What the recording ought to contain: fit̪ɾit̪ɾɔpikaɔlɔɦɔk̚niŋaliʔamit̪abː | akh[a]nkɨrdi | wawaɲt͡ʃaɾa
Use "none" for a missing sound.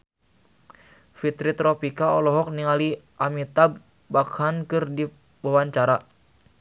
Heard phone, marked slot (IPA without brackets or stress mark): a